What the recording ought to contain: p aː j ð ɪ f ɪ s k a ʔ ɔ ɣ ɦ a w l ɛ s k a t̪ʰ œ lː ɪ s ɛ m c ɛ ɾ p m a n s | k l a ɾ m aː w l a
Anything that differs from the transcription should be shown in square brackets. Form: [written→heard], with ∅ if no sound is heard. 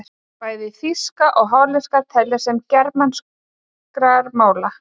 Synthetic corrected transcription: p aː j ð ɪ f [ɪ→i] s k a ʔ ɔ ɣ ɦ a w l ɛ s k a t̪ʰ [œ→ɛ] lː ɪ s ɛ m c ɛ ɾ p m a n s | k [l→ɾ] a ɾ m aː w l a